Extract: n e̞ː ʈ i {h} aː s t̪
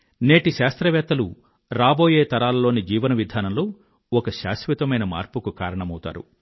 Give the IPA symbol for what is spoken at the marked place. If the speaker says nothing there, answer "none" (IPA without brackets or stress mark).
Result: ʃ